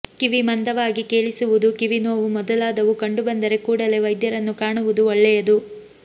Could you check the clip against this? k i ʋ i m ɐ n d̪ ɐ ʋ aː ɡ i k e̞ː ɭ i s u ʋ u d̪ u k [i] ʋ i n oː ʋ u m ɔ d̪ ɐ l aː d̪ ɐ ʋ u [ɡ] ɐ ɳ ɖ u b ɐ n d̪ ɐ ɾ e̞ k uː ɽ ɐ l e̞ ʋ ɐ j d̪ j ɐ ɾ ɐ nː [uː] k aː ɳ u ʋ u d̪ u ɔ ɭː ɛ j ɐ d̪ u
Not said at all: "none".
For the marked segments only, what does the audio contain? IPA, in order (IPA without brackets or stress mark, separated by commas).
i, k, u